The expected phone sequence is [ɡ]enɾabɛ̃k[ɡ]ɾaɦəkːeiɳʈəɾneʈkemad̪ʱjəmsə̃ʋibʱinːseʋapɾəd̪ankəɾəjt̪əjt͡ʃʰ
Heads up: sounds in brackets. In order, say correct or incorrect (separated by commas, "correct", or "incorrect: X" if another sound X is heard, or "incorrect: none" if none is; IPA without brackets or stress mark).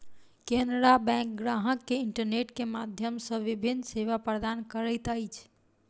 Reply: incorrect: k, correct